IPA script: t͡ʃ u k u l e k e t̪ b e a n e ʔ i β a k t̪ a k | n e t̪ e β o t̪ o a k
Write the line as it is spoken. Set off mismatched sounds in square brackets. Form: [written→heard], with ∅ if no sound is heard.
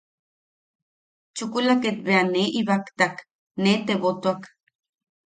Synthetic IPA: t͡ʃ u k u l [e→a] k e t̪ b e a n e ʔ i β a k t̪ a k | n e t̪ e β o t̪ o a k